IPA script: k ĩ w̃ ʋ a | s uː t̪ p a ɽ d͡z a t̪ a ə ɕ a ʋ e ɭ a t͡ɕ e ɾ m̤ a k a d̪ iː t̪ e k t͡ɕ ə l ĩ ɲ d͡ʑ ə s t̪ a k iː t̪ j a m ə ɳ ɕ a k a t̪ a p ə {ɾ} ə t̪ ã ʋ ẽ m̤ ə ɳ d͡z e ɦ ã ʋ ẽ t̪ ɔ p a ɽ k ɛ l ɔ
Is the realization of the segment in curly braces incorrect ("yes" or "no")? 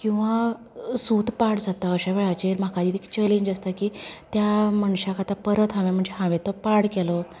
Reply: no